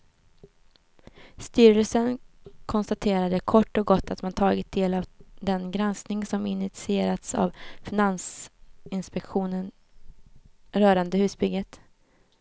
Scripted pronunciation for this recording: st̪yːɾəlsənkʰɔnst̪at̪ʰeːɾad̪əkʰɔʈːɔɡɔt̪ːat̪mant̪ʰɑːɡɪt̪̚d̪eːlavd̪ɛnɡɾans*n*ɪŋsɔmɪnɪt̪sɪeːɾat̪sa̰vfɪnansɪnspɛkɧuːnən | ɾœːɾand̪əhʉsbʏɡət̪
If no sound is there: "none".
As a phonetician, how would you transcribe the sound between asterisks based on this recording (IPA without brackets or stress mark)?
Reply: n